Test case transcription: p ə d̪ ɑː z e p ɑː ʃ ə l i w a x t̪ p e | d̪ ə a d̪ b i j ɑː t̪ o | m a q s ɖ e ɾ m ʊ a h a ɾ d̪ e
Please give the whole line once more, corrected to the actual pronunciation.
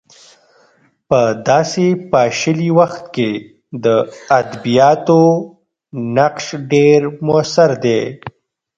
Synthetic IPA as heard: p ə d̪ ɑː s e p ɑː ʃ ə l i w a x t̪ k e | d̪ ə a d̪ b i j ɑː t̪ o | n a q ʃ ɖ e ɾ m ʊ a s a ɾ d̪ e